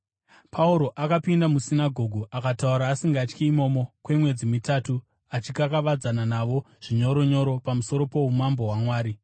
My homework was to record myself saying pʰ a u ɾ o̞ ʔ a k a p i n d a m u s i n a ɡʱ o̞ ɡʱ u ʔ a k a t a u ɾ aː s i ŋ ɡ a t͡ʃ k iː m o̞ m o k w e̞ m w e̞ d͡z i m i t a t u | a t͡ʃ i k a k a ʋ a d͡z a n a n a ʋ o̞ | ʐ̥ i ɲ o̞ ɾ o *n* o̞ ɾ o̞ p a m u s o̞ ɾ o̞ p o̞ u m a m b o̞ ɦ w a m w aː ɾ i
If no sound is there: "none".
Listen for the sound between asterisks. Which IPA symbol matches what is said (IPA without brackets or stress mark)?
ɲ